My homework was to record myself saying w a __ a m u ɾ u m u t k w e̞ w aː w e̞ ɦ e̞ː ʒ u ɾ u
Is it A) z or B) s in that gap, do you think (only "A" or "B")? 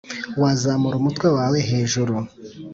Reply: A